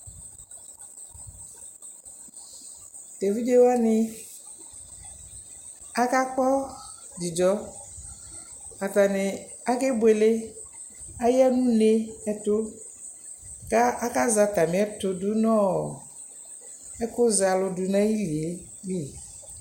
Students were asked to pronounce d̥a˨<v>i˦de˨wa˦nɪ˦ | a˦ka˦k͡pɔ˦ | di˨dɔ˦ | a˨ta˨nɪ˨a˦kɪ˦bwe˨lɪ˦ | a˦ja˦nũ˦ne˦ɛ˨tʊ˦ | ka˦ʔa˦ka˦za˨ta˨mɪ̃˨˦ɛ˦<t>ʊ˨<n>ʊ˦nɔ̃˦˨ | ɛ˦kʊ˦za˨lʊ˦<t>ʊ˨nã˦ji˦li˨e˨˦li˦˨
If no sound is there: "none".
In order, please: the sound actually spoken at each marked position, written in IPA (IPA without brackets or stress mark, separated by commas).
v, t, d, d